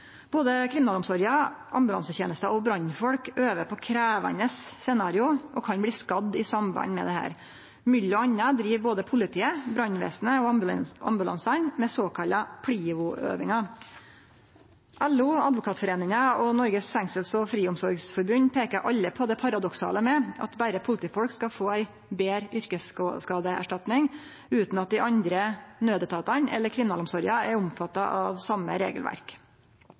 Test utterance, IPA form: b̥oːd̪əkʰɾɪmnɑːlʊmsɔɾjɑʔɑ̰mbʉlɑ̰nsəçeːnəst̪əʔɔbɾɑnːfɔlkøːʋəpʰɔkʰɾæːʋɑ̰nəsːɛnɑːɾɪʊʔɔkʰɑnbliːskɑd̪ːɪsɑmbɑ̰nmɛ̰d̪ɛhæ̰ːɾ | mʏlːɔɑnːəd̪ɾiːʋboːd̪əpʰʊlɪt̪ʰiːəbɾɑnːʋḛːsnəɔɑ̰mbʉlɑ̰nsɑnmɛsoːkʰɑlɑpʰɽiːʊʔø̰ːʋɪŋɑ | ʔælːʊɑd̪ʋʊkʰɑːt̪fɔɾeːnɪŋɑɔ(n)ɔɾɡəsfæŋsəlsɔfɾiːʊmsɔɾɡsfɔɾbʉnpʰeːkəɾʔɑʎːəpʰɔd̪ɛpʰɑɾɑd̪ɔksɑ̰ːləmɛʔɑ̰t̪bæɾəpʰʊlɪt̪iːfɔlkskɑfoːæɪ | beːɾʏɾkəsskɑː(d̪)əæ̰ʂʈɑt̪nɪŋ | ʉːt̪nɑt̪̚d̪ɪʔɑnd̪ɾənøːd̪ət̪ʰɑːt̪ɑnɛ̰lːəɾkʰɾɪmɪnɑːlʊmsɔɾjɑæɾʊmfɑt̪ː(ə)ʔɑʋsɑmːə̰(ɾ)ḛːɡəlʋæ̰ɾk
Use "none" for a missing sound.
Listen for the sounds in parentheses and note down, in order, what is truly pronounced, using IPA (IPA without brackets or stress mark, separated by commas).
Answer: n, d̪, ɑ, ɾ